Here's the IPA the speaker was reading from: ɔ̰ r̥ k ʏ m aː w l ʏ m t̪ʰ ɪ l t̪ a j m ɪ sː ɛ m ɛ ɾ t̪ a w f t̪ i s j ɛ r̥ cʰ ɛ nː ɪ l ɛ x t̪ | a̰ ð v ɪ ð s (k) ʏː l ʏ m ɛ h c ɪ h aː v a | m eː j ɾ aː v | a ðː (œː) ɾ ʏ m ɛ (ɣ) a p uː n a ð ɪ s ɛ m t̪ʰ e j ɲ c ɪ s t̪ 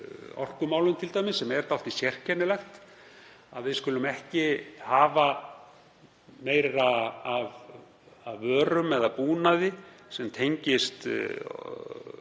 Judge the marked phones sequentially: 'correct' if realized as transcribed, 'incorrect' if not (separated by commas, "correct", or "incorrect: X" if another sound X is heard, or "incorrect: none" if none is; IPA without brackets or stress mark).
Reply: correct, correct, incorrect: ð